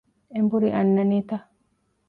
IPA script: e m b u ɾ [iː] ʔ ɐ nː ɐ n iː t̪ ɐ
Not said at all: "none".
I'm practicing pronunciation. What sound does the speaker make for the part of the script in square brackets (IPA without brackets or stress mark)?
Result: i